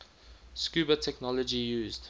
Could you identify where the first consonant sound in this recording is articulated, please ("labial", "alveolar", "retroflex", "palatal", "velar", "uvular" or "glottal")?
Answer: alveolar